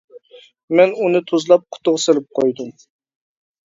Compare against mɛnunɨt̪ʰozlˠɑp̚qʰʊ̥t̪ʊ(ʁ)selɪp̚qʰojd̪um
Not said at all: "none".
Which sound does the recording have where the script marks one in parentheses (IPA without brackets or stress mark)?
ʁ